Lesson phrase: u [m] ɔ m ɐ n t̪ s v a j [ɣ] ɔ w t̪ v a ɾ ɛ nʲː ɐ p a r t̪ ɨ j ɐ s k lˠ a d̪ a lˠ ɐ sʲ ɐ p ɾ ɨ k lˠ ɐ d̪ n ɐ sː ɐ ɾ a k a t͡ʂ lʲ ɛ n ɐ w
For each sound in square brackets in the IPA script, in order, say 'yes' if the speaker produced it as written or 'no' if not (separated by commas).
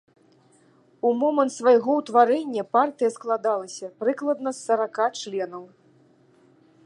yes, yes